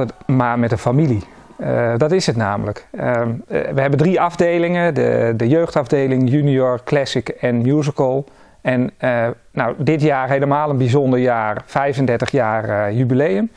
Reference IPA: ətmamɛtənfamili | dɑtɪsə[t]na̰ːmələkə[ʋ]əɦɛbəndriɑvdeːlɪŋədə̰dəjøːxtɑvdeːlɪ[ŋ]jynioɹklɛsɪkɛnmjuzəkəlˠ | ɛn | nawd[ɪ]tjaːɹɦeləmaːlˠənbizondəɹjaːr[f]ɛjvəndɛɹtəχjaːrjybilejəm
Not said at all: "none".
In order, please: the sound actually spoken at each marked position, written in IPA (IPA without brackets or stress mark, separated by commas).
t, ʋ, ŋ, ɪ, f